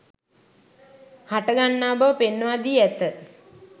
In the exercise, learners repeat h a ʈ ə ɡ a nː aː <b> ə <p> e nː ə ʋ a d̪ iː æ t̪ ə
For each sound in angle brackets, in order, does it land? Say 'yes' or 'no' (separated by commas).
yes, yes